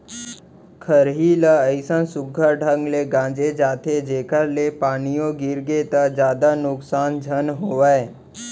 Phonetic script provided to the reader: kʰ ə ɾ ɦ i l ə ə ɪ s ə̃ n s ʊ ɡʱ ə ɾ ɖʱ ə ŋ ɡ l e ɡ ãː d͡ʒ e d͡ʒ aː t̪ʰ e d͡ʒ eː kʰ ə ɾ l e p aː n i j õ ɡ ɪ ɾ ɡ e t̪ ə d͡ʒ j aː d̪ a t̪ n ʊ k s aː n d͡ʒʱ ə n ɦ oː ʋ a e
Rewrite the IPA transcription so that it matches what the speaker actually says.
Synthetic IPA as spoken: kʰ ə ɾ ɦ i l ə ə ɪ s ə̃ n s ʊ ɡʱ ə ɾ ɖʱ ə ŋ ɡ l e ɡ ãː d͡ʒ e d͡ʒ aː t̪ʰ e d͡ʒ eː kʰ ə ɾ l e p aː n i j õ ɡ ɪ ɾ ɡ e t̪ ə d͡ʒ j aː d̪ a n ʊ k s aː n d͡ʒʱ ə n ɦ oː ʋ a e